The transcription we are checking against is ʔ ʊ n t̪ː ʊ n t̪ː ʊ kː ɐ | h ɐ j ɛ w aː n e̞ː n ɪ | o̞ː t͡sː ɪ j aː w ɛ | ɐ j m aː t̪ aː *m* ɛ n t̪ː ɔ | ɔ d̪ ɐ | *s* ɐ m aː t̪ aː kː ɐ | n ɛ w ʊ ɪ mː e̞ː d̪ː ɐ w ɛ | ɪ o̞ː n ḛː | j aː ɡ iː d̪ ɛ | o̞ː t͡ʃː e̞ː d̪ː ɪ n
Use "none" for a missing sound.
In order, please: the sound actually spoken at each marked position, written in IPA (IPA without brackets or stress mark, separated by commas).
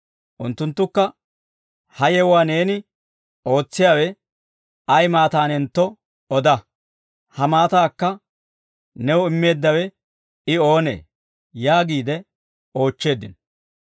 n, h